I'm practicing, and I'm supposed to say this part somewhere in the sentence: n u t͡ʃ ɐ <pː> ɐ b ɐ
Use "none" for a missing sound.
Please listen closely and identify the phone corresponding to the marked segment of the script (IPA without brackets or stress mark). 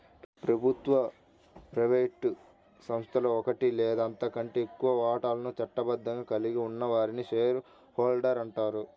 ʈː